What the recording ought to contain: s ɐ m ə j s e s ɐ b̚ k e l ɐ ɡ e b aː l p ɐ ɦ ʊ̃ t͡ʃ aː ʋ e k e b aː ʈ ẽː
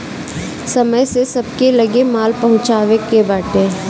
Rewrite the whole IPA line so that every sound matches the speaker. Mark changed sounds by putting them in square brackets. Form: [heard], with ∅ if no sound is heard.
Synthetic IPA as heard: s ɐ m ə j s e s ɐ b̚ k e l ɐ ɡ e [m] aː l p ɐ ɦ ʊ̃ t͡ʃ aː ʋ e k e b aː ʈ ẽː

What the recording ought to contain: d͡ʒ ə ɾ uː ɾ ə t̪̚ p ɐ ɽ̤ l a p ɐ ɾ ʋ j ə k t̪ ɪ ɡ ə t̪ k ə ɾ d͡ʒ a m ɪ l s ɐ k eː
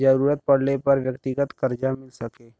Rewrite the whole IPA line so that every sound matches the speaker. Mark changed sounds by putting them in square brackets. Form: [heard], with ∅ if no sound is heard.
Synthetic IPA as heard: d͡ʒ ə ɾ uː ɾ ə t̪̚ p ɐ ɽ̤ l [e] p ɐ ɾ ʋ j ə k t̪ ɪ ɡ ə t̪ k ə ɾ d͡ʒ a m ɪ l s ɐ k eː

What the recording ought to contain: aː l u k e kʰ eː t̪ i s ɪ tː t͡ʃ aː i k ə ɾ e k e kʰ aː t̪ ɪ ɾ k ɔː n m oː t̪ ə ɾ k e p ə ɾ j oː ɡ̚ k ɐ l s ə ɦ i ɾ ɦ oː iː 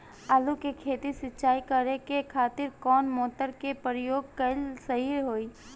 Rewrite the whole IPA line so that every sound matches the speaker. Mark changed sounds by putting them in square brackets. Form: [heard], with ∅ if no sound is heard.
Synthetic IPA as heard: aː l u k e kʰ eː t̪ i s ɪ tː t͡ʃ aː i k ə ɾ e k e kʰ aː t̪ ɪ ɾ k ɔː n m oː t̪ ə ɾ k e p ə ɾ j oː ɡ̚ k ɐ l s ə ɦ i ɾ ɦ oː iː

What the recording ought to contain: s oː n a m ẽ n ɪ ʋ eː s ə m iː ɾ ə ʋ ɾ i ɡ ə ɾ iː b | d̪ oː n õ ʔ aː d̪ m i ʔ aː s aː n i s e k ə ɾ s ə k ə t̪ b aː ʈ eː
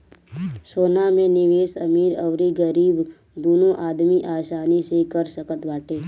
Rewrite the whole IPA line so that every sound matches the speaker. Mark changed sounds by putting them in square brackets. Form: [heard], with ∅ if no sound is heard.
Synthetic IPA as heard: s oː n a m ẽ n ɪ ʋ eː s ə m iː ɾ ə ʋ ɾ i ɡ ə ɾ iː b | d̪ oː n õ ʔ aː d̪ m i ʔ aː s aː n i s e k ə ɾ s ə k ə t̪ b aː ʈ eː

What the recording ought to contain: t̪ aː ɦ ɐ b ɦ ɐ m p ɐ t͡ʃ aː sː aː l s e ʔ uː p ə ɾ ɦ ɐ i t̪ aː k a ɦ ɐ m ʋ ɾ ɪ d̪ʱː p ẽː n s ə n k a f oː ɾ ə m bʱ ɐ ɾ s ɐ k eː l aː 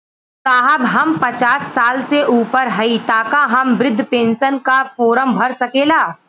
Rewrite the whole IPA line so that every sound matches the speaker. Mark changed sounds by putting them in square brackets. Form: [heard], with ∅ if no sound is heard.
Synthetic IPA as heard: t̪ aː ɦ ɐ b ɦ ɐ m p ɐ t͡ʃ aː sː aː l s e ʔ uː p ə ɾ ɦ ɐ i t̪ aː k a ɦ ɐ m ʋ ɾ ɪ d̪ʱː p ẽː n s ə n k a f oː ɾ ə m bʱ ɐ ɾ s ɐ k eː l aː

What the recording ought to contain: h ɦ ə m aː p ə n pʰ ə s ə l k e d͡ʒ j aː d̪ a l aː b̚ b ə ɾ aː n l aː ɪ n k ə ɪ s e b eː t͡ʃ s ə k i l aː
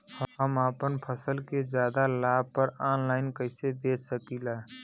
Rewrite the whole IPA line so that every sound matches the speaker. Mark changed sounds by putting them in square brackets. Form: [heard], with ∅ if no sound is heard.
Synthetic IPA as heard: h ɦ ə m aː p ə n pʰ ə s ə l k e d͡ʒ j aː d̪ a l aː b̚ [p] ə ɾ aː n l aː ɪ n k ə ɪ s e b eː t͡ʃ s ə k i l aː

